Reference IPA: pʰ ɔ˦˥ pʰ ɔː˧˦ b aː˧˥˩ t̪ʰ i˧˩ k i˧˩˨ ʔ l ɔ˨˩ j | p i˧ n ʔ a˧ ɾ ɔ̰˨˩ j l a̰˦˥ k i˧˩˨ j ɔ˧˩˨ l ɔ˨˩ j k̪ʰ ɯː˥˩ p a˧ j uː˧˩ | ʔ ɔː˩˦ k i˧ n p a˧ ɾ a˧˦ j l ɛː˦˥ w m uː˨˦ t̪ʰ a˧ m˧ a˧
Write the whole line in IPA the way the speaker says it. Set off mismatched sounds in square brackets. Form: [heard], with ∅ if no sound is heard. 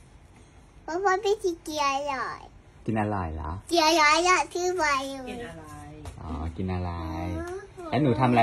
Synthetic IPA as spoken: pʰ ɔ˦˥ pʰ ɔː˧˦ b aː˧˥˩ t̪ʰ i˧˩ k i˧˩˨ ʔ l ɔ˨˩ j | [k] i˧ n ʔ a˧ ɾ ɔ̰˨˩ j l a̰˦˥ k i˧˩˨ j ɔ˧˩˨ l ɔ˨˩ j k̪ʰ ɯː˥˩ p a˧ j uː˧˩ | ʔ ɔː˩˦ k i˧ n [ʔ] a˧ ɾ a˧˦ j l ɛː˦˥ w [n] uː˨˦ t̪ʰ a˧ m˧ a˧